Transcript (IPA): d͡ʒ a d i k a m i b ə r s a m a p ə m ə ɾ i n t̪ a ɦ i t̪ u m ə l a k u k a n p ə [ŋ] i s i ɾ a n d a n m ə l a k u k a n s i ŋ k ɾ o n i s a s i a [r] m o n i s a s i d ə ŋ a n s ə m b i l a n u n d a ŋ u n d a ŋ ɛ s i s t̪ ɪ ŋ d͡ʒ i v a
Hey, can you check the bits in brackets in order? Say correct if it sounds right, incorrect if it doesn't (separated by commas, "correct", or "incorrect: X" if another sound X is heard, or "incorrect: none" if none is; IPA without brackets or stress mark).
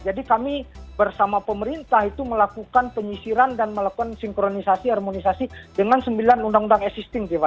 incorrect: ɲ, correct